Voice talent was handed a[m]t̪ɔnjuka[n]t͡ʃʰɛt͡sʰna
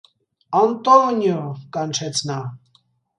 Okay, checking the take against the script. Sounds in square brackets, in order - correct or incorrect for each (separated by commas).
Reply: incorrect, correct